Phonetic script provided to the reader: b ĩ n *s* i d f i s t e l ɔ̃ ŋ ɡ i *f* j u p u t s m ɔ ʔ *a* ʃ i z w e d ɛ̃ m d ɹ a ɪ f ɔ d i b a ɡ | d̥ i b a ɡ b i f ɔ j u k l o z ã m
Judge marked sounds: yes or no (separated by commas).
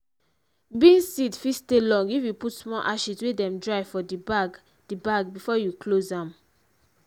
yes, yes, yes